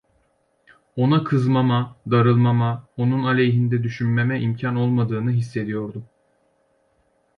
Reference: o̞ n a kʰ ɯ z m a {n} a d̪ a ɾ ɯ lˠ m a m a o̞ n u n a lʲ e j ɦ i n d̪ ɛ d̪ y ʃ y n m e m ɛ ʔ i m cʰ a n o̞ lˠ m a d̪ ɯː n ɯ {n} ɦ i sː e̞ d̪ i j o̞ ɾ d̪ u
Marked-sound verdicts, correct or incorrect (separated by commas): incorrect, incorrect